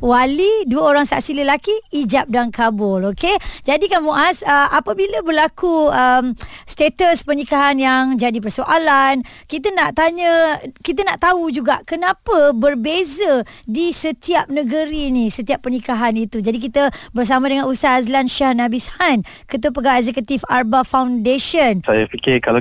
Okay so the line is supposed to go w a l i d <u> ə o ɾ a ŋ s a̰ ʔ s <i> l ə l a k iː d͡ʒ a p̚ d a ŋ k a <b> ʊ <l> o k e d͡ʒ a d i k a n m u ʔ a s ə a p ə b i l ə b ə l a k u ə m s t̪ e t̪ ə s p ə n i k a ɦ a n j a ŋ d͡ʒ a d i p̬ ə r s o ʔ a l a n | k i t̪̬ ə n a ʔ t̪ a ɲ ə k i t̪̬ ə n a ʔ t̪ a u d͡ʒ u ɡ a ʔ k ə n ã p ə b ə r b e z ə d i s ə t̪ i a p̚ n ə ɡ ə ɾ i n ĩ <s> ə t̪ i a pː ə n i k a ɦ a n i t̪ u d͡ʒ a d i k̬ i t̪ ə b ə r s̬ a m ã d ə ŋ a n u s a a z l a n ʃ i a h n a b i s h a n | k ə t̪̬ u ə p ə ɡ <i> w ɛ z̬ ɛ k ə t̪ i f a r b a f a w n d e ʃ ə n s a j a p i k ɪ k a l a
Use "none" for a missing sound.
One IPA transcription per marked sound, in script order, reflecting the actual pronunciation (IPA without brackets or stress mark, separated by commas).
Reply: u, i, b, l, s, a